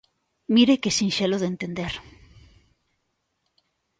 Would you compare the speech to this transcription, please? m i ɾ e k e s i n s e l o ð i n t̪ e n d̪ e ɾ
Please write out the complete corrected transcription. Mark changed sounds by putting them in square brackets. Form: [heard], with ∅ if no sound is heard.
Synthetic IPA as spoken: m i ɾ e k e s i n [ʃ] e l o ð [e] n t̪ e n d̪ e ɾ